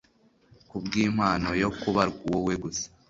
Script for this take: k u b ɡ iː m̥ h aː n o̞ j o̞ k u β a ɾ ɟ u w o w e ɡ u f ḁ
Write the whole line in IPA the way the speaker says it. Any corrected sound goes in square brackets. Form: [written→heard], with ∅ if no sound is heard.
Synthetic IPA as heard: k u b ɡ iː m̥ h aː n o̞ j o̞ k u β a ɾ [ɟ→ɡ] u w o w e ɡ u [f→s] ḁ